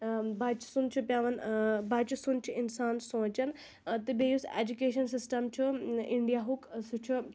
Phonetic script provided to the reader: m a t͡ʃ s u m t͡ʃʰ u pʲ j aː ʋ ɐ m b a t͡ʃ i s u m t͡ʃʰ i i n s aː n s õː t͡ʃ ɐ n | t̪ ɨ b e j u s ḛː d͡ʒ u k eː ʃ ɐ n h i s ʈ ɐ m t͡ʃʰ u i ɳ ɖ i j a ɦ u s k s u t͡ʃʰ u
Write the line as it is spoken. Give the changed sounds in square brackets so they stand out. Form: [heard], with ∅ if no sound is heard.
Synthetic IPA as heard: [b] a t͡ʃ s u [n] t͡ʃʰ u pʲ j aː ʋ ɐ [n] b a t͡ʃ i s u [n] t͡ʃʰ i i n s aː n s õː t͡ʃ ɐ n | t̪ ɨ b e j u s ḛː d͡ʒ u k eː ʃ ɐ n [s] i s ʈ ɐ m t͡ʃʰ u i ɳ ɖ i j a ɦ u [∅] k s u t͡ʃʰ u